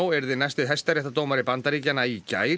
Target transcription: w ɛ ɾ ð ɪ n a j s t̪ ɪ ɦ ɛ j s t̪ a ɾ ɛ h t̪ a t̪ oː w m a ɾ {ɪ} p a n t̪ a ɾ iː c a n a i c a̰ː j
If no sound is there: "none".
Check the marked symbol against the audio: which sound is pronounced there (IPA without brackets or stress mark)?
ɪ